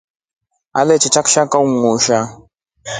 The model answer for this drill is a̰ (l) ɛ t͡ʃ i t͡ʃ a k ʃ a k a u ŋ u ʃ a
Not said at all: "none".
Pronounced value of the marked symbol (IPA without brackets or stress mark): l